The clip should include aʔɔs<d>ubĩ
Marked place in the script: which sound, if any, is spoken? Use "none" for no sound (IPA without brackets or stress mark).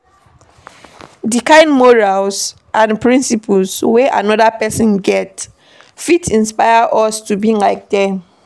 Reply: t